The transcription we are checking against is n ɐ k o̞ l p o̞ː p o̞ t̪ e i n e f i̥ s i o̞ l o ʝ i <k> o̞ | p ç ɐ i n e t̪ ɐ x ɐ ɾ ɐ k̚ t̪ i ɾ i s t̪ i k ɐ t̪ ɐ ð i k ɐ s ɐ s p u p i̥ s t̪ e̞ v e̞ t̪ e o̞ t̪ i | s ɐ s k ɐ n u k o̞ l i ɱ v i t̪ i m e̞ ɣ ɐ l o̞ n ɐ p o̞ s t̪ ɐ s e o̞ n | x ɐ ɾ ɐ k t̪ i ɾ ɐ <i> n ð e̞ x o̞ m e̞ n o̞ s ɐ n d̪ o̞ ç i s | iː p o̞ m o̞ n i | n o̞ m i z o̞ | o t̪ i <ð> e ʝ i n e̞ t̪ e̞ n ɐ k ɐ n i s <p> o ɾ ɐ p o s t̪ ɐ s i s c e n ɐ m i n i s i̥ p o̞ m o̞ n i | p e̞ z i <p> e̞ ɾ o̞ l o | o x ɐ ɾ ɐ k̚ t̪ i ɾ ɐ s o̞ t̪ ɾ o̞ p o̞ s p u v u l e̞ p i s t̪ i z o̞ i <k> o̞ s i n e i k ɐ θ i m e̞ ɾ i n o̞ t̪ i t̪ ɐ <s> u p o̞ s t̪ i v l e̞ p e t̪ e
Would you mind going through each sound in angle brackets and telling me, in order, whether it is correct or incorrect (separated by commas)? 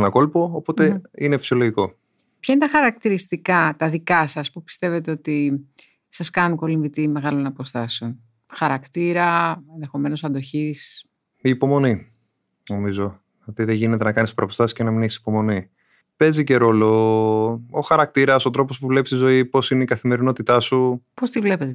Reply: correct, incorrect, correct, correct, incorrect, incorrect, correct